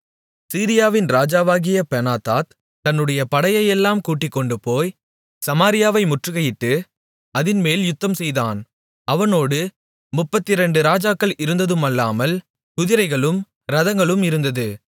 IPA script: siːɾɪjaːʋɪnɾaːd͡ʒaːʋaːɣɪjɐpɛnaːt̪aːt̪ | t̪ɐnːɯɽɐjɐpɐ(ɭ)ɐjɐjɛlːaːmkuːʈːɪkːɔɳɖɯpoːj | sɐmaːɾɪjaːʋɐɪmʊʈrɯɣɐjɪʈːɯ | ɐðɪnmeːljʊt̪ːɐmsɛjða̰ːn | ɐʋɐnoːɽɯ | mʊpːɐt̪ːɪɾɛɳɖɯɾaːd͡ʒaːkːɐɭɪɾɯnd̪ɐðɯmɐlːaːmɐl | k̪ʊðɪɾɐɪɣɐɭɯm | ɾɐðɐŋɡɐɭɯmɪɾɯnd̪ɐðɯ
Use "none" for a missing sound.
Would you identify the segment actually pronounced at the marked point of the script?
ɽ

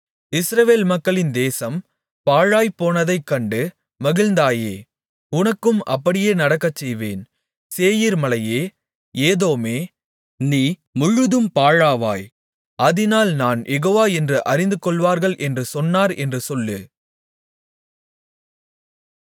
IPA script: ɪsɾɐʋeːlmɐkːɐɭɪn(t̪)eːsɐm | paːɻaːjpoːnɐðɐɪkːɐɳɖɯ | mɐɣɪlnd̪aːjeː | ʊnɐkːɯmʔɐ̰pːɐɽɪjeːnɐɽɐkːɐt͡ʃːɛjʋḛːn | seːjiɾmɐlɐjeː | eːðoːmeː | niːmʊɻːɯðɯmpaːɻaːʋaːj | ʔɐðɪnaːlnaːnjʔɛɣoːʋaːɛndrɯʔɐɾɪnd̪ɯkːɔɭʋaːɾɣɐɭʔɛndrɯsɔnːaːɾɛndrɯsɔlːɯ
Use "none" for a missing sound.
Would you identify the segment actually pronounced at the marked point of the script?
d̪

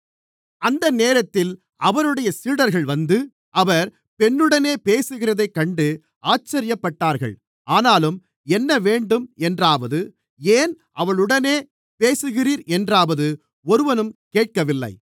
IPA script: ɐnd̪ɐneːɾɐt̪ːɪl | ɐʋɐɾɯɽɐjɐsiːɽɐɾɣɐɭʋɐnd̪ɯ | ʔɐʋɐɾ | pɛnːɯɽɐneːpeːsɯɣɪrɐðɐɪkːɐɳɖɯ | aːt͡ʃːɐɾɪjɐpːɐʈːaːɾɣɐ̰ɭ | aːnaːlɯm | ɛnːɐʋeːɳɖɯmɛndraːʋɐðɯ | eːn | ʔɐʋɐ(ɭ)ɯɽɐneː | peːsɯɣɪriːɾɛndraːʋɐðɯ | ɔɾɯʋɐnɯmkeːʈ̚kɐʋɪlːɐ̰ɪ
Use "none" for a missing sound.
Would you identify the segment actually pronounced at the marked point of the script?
ɭ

